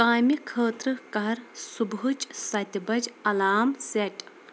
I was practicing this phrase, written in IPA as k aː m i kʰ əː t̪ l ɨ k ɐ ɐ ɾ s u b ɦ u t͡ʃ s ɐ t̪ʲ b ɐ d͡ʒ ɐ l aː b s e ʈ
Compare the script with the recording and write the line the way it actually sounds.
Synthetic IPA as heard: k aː m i kʰ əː t̪ ɾ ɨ k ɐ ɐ ɾ s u b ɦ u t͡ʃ s ɐ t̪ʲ b ɐ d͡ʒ ɐ l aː m s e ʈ